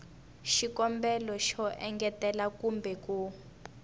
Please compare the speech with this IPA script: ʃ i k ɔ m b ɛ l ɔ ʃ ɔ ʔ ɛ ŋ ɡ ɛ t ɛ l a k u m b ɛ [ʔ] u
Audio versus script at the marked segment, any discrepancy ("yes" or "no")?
yes